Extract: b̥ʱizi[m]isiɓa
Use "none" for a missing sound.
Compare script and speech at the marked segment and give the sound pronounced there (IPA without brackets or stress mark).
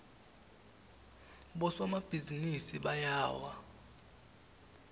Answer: n